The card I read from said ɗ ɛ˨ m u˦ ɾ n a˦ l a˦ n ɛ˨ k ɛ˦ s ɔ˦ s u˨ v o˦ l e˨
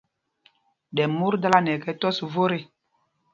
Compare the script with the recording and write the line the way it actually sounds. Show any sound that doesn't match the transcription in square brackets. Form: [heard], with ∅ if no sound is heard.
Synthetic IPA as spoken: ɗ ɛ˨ m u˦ ɾ [d] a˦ l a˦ n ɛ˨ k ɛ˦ [t] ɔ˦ s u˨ v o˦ [ɾ] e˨